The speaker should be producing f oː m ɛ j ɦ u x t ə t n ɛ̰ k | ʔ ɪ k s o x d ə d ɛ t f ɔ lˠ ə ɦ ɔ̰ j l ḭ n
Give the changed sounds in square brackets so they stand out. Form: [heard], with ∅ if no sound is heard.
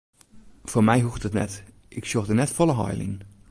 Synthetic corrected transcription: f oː m ɛ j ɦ u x t ə t n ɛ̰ [t] | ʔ ɪ k s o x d ə [n] ɛ t f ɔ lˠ ə ɦ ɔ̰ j l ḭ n

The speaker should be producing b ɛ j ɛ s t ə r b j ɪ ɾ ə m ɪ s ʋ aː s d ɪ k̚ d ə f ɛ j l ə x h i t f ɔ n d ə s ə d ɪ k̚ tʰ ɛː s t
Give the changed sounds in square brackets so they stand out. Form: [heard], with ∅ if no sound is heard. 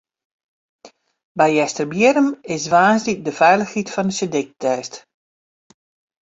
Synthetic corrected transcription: b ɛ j ɛ s t ə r b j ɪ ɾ ə m ɪ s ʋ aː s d [i] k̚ d ə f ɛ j l ə x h i t f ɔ n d ə s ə d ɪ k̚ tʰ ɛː s t

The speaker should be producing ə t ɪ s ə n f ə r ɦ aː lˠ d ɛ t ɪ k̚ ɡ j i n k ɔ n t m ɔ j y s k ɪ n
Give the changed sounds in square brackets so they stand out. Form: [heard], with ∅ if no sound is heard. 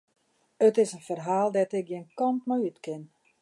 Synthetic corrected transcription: ə t ɪ s ə n f ə r ɦ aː lˠ d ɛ t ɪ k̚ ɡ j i n k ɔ n t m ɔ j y [t] k ɪ n

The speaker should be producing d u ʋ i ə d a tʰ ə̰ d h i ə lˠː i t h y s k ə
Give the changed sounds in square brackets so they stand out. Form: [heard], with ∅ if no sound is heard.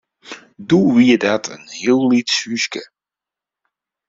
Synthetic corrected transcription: d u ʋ i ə d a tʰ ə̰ [n] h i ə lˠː i t [s] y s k ə

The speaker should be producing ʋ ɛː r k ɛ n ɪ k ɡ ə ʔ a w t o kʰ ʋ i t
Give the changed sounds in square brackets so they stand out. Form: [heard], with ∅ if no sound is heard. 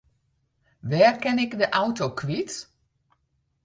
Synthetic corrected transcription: ʋ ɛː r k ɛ n ɪ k [d] ə ʔ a w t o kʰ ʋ i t

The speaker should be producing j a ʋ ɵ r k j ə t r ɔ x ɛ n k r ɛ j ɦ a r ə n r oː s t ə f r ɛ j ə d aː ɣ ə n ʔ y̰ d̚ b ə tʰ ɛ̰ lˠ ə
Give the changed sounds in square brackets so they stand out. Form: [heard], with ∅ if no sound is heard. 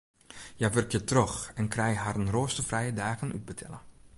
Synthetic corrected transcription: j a ʋ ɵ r k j ə t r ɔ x ɛ n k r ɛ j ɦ a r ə n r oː s t ə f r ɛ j ə d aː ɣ ə n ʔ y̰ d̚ b ə tʰ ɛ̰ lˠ ə

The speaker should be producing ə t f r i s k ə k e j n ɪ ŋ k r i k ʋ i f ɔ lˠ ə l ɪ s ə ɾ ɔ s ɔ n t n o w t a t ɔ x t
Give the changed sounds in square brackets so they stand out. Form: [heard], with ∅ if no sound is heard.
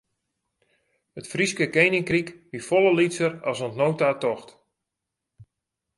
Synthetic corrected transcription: ə t f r i s k ə k e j n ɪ ŋ k r i k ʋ i f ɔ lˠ ə l [i] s ə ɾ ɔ s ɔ n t n o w t a t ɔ x t

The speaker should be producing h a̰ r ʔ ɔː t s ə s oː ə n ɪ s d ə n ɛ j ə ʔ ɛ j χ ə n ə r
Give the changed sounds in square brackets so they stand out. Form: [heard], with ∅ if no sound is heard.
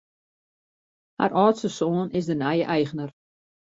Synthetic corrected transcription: h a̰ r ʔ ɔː t s ə s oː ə n ɪ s d ə n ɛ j ə ʔ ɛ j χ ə n ə r

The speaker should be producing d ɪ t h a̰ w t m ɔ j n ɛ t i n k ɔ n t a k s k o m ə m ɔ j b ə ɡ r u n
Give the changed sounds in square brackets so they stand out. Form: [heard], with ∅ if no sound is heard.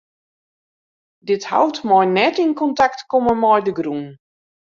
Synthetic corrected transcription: d ɪ t h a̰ w t m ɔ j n ɛ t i n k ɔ n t a k [t] k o m ə m ɔ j [d] ə ɡ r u n

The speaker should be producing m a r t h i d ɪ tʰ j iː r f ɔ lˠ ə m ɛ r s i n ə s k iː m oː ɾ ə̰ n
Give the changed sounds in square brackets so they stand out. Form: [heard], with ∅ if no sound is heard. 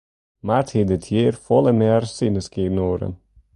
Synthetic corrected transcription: m a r t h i d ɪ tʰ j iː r f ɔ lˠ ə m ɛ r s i n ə s k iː [n] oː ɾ ə̰ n

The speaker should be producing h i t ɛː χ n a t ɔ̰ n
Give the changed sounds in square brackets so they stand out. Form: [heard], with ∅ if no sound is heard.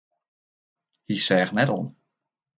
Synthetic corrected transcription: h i [s] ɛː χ n [ɛ] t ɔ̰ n

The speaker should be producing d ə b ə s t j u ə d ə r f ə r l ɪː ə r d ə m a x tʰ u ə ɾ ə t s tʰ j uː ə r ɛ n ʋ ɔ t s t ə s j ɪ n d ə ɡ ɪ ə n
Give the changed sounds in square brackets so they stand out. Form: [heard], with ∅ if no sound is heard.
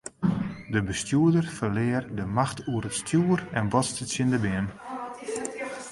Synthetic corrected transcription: d ə b ə s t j u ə d ə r f ə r l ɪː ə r d ə m a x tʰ u ə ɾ ə t s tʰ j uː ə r ɛ n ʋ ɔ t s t ə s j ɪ n d ə [b] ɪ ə n

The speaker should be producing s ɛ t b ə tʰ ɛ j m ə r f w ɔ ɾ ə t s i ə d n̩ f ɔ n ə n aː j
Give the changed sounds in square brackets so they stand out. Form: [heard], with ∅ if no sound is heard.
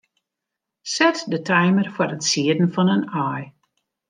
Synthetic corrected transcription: s ɛ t [d] ə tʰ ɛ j m ə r f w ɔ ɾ ə t s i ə d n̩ f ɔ n ə n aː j

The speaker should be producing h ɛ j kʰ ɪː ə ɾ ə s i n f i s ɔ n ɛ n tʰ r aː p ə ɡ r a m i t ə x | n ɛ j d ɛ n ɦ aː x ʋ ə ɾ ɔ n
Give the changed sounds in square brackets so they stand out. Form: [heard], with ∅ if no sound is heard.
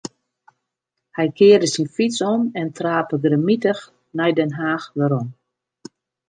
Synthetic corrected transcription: h ɛ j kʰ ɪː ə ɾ ə s i n f i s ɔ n ɛ n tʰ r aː p ə ɡ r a m i t ə x | n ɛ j d ɛ n ɦ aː x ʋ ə ɾ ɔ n

